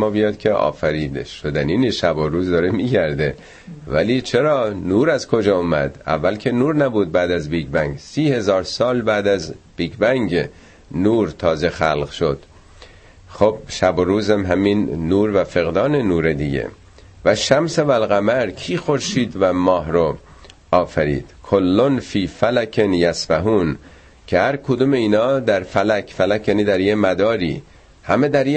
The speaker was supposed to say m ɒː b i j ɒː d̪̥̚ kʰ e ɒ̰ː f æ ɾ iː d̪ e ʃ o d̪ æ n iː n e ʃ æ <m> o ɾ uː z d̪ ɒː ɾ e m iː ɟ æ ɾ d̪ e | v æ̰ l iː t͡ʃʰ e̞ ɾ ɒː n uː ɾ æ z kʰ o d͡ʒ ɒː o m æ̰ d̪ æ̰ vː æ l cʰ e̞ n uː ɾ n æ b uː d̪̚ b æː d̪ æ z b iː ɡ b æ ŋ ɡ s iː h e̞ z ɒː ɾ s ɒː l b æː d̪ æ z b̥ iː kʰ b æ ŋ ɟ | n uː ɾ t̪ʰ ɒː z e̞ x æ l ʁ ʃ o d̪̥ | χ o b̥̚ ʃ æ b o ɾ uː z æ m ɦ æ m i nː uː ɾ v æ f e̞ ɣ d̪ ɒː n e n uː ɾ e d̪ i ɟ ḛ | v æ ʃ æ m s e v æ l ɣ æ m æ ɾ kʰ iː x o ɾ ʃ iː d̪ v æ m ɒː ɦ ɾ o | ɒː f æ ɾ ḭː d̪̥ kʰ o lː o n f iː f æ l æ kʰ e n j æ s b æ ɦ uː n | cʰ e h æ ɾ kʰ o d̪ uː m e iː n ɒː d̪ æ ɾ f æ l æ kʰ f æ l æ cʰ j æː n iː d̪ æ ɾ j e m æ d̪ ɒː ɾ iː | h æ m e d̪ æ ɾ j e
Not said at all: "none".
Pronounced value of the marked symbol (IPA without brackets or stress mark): b